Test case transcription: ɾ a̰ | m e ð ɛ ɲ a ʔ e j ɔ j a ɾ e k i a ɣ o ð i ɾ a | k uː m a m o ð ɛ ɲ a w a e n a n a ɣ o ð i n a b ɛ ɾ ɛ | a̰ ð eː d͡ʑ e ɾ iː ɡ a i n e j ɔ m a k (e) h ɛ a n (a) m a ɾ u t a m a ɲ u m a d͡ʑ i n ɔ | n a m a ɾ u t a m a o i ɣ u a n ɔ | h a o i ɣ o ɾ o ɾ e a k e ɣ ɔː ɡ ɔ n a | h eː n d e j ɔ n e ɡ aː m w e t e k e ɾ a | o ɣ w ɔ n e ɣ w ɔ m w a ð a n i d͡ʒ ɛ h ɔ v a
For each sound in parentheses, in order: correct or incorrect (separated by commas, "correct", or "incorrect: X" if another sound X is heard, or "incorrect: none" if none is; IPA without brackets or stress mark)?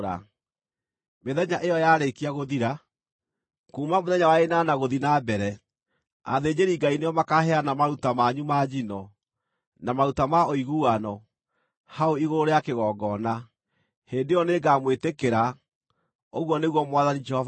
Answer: incorrect: a, correct